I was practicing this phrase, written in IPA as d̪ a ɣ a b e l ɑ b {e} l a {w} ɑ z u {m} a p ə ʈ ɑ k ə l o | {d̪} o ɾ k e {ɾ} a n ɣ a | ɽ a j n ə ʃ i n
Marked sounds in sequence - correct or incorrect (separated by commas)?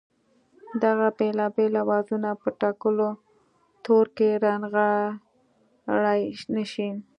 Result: correct, correct, incorrect, incorrect, correct